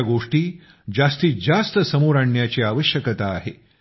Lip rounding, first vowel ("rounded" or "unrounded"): rounded